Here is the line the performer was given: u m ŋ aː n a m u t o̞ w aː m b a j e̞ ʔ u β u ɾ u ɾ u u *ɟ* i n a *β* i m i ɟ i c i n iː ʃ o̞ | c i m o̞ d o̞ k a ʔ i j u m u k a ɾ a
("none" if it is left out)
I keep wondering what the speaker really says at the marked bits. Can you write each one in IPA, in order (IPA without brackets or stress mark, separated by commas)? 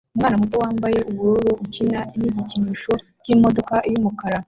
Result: c, none